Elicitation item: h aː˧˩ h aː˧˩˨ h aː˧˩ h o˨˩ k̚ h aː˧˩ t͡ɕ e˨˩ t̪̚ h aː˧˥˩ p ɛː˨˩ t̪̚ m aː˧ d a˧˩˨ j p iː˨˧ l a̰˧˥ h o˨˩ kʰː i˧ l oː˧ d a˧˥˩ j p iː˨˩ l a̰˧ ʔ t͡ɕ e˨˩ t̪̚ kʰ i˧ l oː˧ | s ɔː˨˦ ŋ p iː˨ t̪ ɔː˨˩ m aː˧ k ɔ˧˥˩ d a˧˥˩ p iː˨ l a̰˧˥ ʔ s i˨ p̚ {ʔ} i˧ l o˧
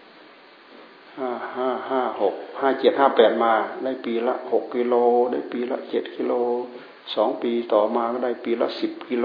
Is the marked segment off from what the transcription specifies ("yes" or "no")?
yes